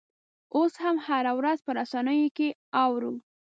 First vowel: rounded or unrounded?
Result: rounded